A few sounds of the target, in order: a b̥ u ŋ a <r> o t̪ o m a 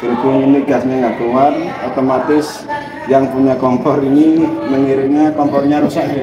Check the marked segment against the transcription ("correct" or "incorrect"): correct